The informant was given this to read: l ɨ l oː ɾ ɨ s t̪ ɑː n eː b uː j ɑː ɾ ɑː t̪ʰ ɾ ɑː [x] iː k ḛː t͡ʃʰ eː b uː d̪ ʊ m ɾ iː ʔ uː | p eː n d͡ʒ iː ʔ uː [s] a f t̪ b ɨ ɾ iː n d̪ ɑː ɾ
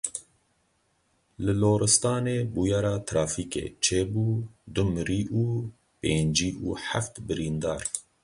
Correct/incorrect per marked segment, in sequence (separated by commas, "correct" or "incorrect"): incorrect, incorrect